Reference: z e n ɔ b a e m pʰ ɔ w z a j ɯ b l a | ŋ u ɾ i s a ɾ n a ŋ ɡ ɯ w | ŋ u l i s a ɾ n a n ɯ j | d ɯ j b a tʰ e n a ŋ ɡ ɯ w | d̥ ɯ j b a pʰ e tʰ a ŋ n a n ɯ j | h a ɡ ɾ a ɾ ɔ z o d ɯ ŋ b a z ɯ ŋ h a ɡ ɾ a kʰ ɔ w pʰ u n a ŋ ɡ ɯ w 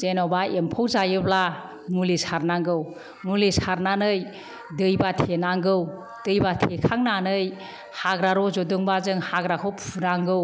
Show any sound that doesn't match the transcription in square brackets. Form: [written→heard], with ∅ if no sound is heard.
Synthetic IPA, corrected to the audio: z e n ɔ b a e m pʰ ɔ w z a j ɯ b l a | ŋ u [ɾ→l] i s a ɾ n a ŋ ɡ ɯ w | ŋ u l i s a ɾ n a n ɯ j | d ɯ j b a tʰ e n a ŋ ɡ ɯ w | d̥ ɯ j b a [pʰ→tʰ] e [tʰ→kʰ] a ŋ n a n ɯ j | h a ɡ ɾ a ɾ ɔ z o d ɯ ŋ b a z ɯ ŋ h a ɡ ɾ a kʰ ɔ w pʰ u n a ŋ ɡ ɯ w